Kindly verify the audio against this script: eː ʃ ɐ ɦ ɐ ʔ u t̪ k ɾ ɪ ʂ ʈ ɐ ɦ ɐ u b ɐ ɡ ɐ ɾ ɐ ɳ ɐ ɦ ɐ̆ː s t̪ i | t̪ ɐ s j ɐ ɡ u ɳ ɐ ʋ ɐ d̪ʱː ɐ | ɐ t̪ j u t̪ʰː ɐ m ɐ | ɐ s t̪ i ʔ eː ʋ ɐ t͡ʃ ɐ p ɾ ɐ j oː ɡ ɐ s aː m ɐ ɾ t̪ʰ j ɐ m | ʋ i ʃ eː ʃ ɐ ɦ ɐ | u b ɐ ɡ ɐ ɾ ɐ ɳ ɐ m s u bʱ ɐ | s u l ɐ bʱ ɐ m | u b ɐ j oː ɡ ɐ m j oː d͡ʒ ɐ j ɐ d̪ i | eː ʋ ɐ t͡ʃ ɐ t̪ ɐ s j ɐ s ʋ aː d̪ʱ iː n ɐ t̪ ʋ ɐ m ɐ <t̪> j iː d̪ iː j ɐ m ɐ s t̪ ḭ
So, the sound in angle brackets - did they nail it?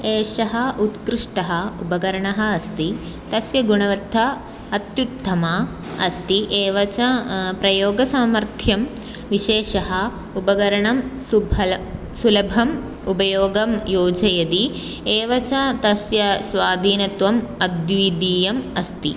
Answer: no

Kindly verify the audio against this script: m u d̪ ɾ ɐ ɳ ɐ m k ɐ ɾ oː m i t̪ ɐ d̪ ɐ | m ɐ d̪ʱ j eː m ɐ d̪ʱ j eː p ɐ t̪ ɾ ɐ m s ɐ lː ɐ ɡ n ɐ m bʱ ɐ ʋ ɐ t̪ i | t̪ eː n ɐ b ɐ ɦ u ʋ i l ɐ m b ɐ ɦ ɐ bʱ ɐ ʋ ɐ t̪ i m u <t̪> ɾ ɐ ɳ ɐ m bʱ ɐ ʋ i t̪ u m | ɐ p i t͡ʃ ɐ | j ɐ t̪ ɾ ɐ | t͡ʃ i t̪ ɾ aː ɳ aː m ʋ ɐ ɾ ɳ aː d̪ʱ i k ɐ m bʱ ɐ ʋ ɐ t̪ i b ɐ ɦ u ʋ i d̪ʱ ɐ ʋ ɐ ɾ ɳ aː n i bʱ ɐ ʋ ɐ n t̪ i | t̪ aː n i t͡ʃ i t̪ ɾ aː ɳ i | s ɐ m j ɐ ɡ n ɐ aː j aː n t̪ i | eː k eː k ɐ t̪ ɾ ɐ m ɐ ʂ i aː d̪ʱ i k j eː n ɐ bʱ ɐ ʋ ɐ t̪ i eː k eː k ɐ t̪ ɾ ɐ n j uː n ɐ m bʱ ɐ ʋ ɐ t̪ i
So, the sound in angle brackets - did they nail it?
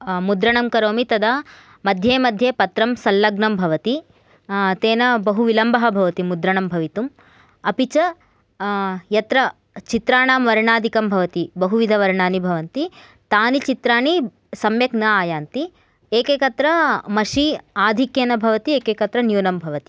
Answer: no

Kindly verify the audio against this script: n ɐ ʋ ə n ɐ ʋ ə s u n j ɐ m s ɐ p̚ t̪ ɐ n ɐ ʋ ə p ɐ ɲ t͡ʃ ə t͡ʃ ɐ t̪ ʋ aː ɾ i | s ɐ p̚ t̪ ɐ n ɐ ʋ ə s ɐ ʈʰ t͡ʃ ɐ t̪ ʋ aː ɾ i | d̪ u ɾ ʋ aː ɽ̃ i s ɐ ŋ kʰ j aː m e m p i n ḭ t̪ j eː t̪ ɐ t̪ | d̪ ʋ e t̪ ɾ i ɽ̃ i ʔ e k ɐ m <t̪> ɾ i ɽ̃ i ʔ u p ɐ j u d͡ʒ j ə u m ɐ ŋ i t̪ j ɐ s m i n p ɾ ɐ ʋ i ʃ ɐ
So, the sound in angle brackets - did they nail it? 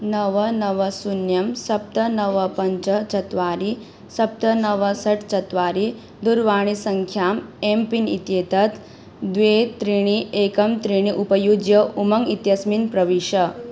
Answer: yes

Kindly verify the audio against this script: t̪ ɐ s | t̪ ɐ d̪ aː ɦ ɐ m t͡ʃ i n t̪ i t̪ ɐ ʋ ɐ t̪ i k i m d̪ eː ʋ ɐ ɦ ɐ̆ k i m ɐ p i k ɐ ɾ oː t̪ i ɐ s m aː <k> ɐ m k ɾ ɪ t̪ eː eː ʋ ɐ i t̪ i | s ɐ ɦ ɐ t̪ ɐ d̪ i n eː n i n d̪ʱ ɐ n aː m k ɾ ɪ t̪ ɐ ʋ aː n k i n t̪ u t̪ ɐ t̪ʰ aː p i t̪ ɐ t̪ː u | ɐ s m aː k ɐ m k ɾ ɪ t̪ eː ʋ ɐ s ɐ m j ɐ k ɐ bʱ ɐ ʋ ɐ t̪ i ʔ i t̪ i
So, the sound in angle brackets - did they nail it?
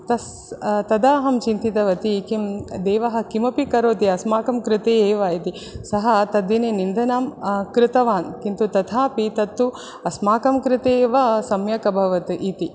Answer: yes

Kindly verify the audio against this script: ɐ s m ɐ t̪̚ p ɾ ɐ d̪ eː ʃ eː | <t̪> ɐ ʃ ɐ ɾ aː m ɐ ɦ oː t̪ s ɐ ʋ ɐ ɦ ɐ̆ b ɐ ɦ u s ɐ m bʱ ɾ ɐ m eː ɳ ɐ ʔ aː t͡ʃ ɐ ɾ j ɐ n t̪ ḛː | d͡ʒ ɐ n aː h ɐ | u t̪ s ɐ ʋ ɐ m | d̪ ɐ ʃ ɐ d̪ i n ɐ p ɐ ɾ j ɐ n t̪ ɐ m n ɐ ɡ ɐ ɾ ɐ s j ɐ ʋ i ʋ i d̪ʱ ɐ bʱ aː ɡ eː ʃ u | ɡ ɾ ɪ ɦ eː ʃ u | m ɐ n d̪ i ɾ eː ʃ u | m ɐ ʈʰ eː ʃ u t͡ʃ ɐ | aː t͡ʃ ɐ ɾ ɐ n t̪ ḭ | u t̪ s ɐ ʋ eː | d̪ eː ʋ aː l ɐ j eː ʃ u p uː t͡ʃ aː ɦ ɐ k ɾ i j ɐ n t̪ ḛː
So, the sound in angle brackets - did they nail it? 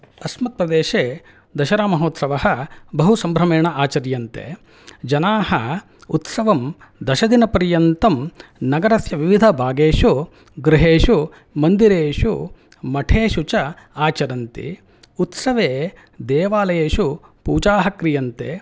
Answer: no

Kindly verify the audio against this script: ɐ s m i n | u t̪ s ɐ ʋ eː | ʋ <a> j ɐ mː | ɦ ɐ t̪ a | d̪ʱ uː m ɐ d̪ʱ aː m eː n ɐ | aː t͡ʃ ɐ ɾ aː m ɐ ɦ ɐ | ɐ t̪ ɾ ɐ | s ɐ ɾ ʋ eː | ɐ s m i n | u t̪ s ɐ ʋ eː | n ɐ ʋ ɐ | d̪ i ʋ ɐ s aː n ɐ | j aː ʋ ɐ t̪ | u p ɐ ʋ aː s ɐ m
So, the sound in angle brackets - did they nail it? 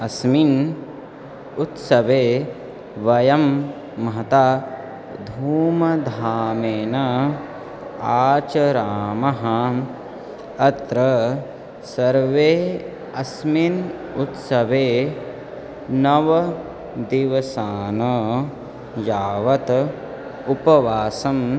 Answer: no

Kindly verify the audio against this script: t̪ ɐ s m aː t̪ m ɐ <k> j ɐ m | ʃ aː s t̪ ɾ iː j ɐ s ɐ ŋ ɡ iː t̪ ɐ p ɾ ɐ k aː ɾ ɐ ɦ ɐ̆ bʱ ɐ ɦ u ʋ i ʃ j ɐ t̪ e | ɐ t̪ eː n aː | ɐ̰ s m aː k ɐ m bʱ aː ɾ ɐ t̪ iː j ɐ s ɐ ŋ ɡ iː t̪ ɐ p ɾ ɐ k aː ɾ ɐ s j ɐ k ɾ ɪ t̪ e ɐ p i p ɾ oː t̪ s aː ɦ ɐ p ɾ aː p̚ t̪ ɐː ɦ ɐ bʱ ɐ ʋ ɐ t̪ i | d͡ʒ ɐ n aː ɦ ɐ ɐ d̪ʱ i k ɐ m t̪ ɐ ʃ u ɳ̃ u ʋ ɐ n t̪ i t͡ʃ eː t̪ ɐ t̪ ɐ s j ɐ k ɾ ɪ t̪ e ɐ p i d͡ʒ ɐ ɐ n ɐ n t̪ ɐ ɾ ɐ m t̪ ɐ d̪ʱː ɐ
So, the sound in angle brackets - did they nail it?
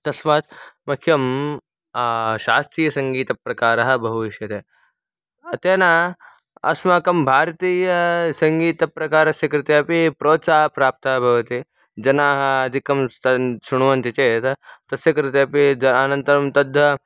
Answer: no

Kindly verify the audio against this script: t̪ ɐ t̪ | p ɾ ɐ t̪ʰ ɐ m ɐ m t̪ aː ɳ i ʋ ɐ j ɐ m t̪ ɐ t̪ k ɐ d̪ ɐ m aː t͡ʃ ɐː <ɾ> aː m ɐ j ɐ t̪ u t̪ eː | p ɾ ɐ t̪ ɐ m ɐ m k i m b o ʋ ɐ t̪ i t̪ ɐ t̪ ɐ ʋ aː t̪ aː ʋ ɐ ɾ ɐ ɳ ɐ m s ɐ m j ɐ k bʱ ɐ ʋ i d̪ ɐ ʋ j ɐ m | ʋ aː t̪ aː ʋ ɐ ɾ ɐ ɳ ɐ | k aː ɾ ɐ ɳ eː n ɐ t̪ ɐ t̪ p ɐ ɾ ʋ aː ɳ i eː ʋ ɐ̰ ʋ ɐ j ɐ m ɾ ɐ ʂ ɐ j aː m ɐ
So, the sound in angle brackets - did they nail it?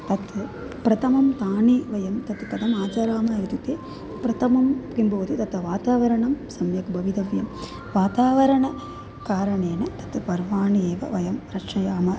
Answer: yes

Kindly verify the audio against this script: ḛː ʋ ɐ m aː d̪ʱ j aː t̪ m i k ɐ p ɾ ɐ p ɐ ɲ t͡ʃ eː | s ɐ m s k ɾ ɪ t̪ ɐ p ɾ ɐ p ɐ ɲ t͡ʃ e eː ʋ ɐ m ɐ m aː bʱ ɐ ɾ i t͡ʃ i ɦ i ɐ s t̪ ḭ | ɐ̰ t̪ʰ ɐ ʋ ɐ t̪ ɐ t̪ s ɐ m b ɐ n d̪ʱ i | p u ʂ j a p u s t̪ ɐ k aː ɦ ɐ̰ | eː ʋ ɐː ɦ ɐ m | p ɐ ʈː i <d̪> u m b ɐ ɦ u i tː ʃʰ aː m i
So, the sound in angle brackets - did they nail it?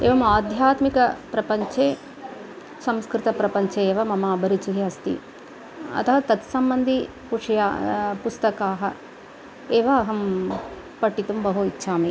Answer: no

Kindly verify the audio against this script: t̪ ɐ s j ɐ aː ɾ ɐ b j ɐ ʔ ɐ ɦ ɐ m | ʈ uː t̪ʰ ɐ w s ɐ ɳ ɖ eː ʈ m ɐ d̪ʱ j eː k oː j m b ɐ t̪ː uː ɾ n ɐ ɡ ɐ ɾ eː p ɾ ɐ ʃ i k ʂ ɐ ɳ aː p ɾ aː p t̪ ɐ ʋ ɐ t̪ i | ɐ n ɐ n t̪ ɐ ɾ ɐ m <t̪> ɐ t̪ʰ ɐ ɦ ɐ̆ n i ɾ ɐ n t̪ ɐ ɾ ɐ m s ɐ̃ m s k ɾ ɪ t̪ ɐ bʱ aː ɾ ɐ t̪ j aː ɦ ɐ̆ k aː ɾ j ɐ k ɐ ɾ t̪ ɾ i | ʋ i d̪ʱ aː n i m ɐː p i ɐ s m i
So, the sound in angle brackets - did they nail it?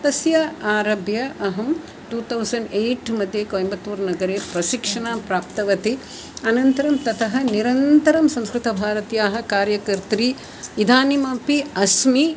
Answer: yes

